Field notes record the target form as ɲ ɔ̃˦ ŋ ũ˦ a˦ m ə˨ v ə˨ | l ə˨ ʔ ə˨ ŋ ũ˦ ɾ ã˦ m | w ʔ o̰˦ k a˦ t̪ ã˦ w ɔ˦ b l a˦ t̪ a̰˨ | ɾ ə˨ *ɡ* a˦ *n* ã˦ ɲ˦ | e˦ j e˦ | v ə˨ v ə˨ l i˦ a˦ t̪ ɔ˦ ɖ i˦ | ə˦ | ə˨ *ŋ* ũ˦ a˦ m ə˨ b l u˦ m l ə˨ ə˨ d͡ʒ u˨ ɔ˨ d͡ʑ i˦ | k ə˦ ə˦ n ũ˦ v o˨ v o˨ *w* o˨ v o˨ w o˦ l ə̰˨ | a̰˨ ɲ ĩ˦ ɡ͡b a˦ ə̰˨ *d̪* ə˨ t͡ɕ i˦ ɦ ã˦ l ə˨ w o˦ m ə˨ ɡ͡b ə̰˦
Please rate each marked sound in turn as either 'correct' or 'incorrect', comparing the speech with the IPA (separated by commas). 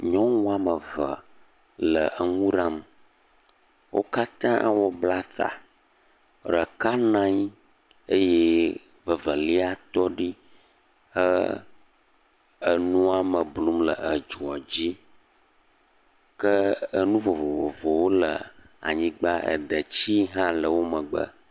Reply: incorrect, correct, incorrect, incorrect, correct